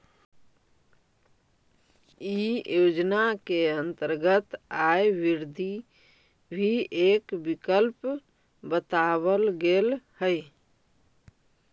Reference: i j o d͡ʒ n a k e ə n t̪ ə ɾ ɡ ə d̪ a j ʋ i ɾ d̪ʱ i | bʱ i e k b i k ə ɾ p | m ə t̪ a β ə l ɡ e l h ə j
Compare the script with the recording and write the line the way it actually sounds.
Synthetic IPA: i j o d͡ʒ n a k e ə n t̪ ə ɾ ɡ ə t̪ a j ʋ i ɾ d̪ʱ i | bʱ i e k b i k ə l p | b ə t̪ a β ə l ɡ e l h ə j